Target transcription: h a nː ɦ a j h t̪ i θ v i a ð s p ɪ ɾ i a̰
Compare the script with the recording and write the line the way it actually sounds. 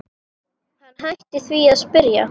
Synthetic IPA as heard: h a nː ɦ a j h t̪ ɪ θ v i a ð s p ɪ ɾ j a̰